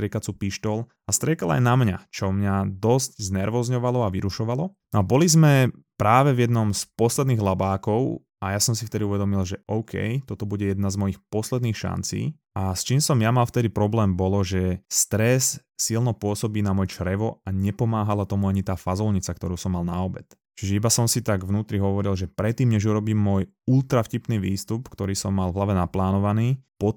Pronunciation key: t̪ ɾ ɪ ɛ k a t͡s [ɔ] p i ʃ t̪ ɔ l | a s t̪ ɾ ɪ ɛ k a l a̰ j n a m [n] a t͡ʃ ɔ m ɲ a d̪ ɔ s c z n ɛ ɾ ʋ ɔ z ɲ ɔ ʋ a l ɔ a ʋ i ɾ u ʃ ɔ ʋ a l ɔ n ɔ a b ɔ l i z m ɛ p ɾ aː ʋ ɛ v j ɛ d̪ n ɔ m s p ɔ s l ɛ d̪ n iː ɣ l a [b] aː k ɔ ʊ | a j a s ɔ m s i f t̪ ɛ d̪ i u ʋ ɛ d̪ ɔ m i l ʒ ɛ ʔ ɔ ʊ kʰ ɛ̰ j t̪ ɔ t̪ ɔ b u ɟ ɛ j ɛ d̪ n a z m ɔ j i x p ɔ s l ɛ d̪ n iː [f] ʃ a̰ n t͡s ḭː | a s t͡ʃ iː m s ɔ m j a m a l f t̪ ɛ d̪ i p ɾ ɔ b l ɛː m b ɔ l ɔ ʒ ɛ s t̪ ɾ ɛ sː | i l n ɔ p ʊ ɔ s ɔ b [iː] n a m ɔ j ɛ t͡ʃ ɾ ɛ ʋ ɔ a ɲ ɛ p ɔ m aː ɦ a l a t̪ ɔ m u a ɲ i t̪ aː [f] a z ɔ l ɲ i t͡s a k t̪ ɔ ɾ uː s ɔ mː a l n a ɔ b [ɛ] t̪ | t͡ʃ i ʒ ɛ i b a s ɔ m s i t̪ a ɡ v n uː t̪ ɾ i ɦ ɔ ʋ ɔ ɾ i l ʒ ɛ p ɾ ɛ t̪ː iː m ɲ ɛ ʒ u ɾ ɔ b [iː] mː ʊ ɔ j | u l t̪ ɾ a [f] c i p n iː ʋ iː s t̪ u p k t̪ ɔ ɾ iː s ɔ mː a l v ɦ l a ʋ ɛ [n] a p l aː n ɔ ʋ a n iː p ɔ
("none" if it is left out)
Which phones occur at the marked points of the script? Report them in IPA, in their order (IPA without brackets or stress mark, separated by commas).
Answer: u, ɲ, b, x, iː, f, ɛ, iː, f, n